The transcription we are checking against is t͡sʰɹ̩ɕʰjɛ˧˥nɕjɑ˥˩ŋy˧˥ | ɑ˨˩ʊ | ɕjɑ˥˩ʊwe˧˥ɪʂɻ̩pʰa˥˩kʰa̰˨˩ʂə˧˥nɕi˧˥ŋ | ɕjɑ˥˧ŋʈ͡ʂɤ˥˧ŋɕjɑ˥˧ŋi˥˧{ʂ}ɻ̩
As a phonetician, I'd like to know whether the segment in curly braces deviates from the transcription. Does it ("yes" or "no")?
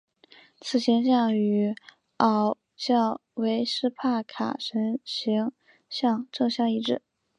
yes